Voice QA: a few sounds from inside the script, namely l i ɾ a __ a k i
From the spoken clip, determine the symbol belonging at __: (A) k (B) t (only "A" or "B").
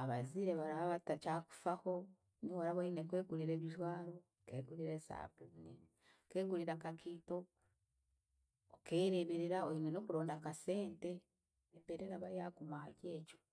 A